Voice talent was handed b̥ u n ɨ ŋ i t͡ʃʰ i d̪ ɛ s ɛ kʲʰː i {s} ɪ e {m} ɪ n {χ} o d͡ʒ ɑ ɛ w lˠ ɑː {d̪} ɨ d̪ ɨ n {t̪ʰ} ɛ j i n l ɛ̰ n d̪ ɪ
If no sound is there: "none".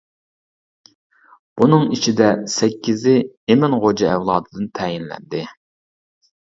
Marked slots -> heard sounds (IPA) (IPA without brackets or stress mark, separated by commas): z, m, ʁ, d̪, t̪ʰ